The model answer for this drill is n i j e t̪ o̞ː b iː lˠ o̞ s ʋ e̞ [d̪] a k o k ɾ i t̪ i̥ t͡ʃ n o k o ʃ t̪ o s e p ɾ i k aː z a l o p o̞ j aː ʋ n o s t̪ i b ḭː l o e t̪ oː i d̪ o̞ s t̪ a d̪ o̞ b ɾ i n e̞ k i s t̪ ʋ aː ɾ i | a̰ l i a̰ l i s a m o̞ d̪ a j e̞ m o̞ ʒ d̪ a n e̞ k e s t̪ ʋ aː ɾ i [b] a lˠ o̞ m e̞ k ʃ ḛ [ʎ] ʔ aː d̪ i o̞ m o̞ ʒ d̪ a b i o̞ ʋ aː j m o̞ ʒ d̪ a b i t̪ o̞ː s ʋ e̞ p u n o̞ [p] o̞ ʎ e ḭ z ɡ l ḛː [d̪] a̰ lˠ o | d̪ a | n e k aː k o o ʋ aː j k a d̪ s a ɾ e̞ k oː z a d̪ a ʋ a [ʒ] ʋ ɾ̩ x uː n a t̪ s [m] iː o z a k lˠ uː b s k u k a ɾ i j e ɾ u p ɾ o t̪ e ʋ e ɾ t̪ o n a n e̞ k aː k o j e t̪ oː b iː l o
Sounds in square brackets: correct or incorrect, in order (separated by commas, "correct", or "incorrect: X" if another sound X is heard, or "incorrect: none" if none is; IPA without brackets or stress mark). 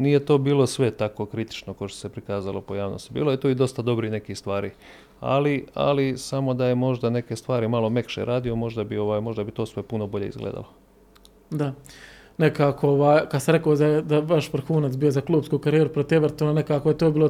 incorrect: t̪, incorrect: m, incorrect: ɾ, incorrect: b, correct, incorrect: ʃ, incorrect: b